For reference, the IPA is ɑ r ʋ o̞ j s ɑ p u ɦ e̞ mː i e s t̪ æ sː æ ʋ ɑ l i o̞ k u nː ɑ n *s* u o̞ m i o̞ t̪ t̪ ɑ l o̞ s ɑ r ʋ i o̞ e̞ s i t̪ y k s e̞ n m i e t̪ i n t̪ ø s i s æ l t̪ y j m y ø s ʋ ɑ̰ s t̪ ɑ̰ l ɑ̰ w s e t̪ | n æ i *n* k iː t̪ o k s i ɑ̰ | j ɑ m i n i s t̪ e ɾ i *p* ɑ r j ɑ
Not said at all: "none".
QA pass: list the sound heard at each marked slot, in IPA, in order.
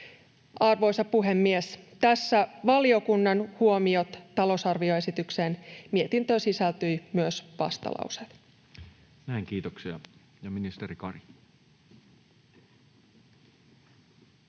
h, ŋ, k

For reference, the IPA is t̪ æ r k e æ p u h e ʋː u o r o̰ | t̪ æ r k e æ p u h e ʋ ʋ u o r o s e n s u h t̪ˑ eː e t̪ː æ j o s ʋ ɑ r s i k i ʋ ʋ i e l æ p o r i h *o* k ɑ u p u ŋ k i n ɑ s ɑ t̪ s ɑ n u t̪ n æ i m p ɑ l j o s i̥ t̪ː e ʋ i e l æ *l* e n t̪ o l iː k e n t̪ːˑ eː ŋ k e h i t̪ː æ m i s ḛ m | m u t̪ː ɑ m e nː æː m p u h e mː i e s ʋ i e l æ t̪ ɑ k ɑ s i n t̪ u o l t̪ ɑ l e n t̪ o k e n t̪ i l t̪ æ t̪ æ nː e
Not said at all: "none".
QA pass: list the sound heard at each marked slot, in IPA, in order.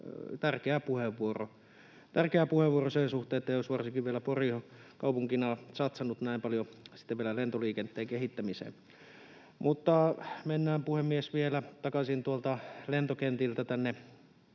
o, l

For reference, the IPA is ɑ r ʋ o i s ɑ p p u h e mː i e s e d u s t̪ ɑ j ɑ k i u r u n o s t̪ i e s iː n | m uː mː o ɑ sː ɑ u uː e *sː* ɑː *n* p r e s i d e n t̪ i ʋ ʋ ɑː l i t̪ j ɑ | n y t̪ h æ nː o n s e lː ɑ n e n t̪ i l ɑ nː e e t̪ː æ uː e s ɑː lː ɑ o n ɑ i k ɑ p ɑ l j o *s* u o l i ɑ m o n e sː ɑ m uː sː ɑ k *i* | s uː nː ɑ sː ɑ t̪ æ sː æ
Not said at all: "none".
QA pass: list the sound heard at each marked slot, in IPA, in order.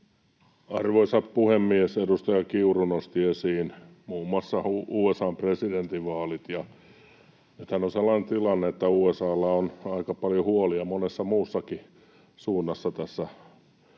s, m, h, i

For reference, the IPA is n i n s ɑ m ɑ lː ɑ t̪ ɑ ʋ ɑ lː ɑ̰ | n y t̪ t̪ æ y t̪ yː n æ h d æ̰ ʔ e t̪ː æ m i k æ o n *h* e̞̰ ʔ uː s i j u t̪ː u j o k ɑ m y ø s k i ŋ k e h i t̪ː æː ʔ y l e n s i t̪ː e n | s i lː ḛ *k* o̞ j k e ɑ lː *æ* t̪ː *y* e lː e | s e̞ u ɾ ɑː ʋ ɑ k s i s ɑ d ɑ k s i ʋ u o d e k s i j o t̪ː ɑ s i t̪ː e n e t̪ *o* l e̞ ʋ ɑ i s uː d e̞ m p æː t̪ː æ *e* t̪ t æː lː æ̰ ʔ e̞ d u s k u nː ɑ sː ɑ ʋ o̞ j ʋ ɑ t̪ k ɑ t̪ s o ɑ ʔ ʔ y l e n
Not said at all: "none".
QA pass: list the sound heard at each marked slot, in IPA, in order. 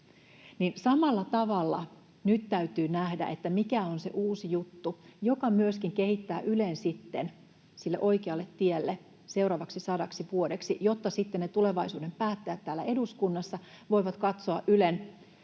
s, ʔ, e, i, u, æ

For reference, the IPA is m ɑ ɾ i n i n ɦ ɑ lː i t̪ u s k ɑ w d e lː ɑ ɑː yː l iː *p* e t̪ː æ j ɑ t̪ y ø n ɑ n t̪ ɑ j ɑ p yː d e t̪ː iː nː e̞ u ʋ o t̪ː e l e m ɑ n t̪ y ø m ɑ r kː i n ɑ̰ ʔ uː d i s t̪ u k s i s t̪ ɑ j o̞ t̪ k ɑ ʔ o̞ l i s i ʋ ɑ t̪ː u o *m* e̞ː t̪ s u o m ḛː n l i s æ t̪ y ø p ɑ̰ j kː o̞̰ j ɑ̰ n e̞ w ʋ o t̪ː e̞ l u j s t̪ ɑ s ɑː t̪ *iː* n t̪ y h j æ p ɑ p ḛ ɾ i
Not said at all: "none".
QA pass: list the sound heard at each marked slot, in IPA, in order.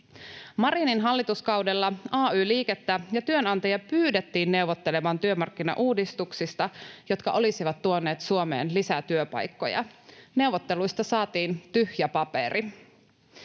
k, n, iː

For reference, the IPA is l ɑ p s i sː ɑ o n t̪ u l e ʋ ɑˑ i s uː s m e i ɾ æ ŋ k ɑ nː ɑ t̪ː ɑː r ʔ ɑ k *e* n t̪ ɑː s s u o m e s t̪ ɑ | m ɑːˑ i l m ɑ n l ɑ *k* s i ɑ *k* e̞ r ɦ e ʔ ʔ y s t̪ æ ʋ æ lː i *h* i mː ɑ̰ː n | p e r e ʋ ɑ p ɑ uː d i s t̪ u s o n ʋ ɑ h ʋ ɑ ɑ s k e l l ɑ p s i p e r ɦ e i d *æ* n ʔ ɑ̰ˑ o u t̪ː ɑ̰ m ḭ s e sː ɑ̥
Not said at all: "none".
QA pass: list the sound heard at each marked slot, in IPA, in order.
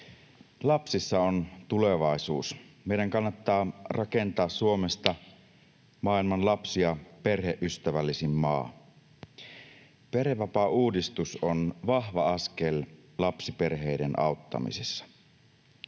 e, p, p, s, e

